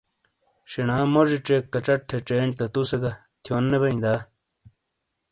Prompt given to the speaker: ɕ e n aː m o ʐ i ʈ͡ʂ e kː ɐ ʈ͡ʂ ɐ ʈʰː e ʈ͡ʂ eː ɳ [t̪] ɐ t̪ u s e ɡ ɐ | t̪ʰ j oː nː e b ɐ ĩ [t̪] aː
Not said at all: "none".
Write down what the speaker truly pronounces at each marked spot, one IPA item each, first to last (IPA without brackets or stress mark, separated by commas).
t̪, d̪